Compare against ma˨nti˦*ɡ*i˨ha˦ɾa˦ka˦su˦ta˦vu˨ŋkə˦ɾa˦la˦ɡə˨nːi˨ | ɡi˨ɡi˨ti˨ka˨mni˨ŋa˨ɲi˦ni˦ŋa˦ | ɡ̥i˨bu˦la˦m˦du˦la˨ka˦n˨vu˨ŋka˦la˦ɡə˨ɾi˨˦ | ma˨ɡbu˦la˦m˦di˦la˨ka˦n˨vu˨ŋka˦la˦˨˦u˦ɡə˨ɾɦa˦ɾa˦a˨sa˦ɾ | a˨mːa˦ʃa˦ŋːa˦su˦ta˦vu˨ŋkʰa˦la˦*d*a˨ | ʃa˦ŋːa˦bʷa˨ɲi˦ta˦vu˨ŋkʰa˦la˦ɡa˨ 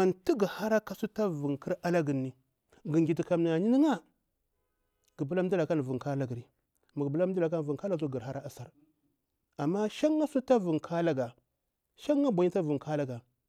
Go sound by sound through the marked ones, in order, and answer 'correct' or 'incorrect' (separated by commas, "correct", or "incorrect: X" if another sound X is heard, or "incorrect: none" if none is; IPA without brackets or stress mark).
correct, incorrect: ɡ